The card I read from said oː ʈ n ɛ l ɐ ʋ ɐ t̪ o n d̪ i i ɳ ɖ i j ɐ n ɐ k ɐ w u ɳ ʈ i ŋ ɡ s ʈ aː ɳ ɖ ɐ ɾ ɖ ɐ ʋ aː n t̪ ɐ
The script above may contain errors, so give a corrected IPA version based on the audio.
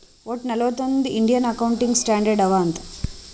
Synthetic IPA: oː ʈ n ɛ l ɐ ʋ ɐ t̪ o n d̪ i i ɳ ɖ i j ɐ n ɐ k ɐ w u ɳ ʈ i ŋ ɡ s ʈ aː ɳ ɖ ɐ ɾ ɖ ɐ ʋ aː n t̪ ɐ